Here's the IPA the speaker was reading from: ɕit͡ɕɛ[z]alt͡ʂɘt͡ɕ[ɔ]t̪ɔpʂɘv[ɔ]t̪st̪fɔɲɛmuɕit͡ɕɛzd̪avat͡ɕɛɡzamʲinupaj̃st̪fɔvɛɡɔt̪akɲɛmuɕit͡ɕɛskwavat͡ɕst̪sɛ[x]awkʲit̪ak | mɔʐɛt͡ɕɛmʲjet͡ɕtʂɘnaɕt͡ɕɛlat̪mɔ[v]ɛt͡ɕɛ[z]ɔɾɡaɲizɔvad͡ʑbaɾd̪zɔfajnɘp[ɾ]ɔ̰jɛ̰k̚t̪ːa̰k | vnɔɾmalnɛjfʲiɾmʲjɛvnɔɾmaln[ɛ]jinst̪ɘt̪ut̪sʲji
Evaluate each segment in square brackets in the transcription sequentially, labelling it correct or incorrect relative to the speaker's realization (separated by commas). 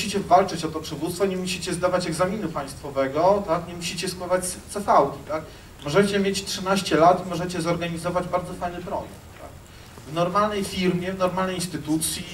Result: incorrect, correct, incorrect, incorrect, incorrect, correct, correct, correct